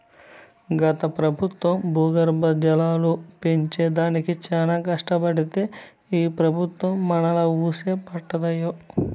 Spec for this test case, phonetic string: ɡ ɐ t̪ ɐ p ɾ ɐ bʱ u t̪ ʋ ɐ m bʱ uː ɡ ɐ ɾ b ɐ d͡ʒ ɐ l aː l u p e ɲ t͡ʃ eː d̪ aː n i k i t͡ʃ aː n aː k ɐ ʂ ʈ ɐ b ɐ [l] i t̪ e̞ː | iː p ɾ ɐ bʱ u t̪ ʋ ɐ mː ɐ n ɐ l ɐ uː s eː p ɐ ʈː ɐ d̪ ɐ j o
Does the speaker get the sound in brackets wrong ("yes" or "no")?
yes